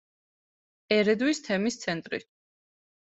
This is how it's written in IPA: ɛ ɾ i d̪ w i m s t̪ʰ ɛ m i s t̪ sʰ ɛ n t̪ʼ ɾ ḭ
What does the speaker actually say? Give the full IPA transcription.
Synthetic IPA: ɛ ɾ ɛ d̪ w i s t̪ʰ ɛ m i s t̪ sʰ ɛ n t̪ʼ ɾ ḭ